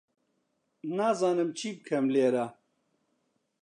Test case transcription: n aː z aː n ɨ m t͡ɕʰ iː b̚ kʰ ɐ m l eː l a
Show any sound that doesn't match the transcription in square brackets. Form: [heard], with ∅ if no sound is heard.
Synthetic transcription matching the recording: n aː z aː n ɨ m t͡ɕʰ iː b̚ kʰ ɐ m l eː [ɾ] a